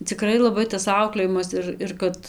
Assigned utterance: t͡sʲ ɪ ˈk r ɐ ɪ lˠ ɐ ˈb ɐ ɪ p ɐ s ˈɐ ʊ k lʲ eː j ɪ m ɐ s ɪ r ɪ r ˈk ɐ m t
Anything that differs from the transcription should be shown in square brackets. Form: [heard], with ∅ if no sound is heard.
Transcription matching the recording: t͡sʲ ɪ ˈk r ɐ ɪ lˠ ɐ ˈb ɐ ɪ [t] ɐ s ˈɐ ʊ k lʲ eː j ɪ m ɐ s ɪ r ɪ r ˈk ɐ [∅] t

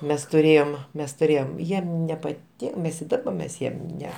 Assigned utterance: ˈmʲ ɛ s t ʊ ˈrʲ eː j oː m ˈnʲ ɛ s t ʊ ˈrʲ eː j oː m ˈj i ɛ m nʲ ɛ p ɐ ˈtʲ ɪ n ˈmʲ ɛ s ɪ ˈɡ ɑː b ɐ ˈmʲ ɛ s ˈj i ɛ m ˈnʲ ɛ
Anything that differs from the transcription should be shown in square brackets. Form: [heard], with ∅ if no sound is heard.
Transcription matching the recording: ˈmʲ ɛ s t ʊ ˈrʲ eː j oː m [ˈmʲ] ɛ s t ʊ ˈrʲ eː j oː m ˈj i ɛ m nʲ ɛ p ɐ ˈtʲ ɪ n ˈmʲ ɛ s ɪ [ˈd] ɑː b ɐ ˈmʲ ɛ s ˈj i ɛ m ˈnʲ ɛ

